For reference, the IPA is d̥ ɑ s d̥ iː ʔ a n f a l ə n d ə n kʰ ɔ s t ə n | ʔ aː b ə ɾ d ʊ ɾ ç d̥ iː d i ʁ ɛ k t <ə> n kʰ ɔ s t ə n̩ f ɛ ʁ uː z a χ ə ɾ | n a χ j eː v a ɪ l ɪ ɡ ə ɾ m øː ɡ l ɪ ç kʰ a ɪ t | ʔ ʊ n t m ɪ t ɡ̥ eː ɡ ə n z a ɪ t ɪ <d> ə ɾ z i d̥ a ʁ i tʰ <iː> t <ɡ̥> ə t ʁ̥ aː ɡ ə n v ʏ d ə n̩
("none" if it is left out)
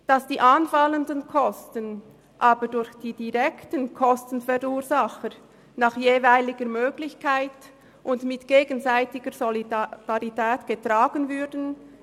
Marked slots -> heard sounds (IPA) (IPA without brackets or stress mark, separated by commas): ə, ɡ, ɛː, ɡ̥